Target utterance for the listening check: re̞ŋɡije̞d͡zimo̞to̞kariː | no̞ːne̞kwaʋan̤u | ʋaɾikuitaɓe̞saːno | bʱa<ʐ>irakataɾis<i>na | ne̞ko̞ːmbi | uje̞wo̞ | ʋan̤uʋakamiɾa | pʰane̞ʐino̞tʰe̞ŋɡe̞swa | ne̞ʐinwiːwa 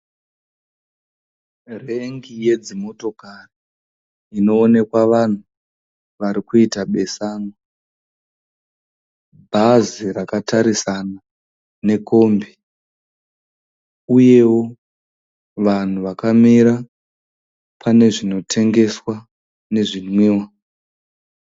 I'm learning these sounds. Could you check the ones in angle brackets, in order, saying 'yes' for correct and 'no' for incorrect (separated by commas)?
no, no